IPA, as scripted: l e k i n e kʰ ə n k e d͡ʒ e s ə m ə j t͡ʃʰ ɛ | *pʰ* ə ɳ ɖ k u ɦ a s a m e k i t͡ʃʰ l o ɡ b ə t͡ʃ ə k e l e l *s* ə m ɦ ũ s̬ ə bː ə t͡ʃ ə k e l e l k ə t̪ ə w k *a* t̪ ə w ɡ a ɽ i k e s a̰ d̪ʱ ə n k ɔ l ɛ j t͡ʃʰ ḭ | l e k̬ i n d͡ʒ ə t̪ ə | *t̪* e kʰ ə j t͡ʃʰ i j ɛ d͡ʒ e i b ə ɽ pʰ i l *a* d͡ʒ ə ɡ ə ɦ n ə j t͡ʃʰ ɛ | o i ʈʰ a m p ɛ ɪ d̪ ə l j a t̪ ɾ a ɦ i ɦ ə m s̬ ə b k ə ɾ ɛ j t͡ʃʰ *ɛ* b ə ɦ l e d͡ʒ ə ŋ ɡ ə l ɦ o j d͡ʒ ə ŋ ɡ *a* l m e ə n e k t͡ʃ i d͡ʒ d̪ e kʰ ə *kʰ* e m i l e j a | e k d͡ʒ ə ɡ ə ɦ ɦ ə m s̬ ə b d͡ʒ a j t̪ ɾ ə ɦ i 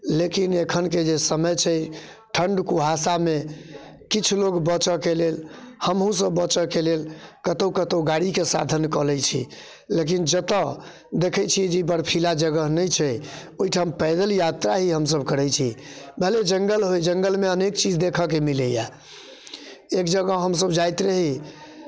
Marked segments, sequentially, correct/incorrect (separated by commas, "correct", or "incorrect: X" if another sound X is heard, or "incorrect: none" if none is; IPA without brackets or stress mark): incorrect: ʈʰ, incorrect: h, incorrect: ə, incorrect: d̪, correct, incorrect: i, incorrect: ə, incorrect: k